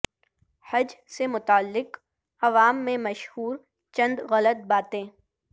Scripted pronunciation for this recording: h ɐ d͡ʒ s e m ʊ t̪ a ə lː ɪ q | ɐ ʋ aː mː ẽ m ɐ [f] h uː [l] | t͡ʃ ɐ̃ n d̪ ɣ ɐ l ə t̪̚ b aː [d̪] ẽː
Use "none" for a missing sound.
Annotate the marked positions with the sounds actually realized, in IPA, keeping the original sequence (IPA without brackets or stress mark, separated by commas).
ʃ, ɾ, t̪